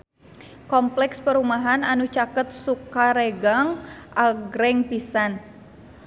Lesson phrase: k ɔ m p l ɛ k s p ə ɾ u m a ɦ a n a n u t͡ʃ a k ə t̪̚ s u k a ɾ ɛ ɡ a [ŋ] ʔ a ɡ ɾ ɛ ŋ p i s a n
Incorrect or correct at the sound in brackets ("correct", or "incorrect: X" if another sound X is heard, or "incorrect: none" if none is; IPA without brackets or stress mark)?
correct